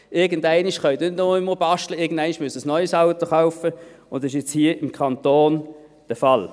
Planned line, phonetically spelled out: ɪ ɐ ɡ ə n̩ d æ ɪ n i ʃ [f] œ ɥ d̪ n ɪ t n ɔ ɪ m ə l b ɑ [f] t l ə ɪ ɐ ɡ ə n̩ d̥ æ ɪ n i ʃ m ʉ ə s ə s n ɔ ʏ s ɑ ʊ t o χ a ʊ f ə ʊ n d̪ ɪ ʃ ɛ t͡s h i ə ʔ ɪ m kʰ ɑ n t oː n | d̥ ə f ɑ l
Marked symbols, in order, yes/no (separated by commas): no, no